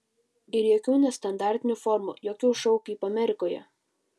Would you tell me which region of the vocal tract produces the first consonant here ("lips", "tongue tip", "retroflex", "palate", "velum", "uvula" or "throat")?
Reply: tongue tip